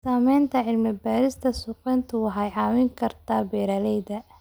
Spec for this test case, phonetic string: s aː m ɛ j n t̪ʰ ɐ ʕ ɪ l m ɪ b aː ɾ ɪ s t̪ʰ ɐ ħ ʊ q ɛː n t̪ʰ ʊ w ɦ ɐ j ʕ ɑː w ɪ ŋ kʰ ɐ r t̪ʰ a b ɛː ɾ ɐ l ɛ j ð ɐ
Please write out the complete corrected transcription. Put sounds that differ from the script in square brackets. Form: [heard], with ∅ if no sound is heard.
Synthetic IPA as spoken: s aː m ɛ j n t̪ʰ ɐ ʕ ɪ l m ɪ b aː ɾ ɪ s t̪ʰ ɐ [s] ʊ q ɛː n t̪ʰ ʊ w ɦ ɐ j ʕ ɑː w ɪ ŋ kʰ ɐ r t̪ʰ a b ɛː ɾ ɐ l ɛ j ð ɐ